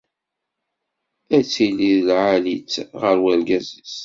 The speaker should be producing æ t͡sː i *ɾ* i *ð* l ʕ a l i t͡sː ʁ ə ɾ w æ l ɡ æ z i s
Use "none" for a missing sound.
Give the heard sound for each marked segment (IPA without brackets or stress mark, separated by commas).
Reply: l, ð